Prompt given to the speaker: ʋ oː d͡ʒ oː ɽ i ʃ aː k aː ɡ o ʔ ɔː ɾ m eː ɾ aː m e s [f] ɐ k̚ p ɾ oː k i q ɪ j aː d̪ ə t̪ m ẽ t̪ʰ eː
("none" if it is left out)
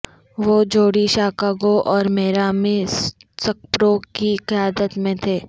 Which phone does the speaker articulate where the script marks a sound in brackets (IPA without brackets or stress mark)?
s